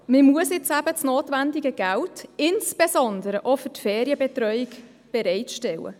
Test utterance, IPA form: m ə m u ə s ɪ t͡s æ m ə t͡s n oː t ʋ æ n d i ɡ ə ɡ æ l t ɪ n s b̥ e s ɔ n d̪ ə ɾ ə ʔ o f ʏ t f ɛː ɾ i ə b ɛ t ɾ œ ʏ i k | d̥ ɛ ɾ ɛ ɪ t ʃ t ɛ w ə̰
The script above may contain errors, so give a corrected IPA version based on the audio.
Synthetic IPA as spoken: m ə m u ə s ɪ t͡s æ b ə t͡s n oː t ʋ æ n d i ɡ ə ɡ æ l t ɪ n s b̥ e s ɔ n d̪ ə ɾ ə ʔ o f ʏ t f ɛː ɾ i ə b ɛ t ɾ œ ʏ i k | b̥ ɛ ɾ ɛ ɪ t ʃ t ɛ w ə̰